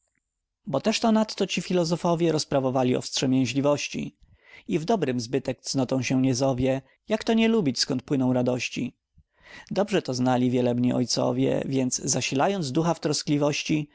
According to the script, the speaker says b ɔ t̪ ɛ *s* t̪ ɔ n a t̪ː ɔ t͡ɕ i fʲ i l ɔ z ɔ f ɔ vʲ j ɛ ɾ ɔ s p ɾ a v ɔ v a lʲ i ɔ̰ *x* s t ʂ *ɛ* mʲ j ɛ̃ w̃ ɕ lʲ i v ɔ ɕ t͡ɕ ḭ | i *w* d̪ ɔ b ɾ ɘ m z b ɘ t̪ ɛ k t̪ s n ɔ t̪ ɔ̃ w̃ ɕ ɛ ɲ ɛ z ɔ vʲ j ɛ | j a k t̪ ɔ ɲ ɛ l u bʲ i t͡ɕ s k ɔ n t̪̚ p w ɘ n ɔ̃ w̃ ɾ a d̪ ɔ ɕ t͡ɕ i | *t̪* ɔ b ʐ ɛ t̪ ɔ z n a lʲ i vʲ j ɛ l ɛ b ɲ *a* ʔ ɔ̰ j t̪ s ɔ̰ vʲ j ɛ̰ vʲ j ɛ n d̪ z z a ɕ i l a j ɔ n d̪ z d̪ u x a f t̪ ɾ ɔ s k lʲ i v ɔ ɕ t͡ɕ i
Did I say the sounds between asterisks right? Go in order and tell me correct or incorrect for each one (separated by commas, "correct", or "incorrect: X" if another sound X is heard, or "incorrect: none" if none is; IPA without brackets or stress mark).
incorrect: ʂ, incorrect: f, correct, incorrect: v, incorrect: d̪, incorrect: i